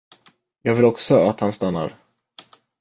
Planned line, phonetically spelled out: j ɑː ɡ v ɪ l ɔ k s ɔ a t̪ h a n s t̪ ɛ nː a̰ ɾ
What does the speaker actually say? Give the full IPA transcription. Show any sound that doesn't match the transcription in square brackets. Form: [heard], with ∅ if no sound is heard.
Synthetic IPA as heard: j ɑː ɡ v ɪ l ɔ k s ɔ a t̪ h a n s t̪ [a] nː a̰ ɾ

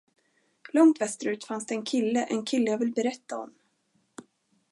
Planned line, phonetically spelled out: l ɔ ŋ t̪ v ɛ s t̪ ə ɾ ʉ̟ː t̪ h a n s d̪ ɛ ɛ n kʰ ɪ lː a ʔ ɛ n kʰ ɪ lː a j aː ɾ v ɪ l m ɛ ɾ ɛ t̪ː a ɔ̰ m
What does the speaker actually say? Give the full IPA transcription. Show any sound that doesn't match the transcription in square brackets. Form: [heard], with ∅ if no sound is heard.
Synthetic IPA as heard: l ɔ ŋ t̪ v ɛ s t̪ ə ɾ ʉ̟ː t̪ [f] a n s d̪ ɛ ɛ n kʰ ɪ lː [ə] ʔ ɛ n kʰ ɪ lː [ə] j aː [∅] v ɪ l [b] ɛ ɾ ɛ t̪ː a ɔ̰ m

